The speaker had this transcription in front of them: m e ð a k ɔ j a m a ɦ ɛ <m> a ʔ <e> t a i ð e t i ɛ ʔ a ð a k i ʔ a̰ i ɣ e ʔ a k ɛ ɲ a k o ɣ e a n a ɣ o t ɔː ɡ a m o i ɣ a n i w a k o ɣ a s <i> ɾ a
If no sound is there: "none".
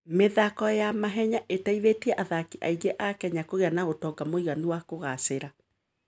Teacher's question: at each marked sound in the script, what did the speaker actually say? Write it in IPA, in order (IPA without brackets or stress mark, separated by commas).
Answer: ɲ, e, e